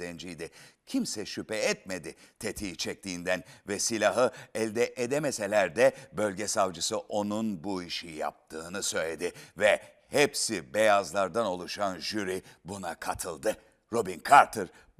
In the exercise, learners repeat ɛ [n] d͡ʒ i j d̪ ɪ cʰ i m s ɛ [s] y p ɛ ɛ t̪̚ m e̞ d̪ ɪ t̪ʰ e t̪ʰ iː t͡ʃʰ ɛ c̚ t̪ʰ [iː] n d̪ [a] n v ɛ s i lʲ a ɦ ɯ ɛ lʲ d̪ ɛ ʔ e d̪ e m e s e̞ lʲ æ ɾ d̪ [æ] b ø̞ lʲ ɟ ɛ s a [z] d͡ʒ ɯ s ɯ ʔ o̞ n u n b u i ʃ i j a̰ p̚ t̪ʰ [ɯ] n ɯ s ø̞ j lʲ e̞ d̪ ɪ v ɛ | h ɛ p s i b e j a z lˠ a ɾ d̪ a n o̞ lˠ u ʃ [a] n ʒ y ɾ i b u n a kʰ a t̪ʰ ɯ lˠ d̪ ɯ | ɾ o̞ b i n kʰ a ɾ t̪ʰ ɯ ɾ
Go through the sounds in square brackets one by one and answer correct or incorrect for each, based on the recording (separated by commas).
correct, incorrect, correct, incorrect, incorrect, incorrect, incorrect, correct